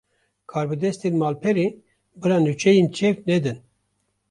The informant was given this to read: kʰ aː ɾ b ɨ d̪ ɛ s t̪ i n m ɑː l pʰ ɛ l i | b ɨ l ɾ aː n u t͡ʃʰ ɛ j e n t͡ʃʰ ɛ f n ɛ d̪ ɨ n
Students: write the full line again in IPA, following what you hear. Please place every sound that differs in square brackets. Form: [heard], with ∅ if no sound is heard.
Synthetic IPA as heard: kʰ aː ɾ b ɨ d̪ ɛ s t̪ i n m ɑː l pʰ ɛ [ɾ] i | b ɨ [∅] ɾ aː n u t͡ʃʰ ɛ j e n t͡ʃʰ ɛ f n ɛ d̪ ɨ n